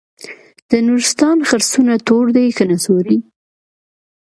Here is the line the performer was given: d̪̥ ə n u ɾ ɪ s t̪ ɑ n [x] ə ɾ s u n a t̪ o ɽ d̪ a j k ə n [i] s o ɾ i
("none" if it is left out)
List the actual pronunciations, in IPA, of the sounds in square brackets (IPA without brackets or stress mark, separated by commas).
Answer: x, a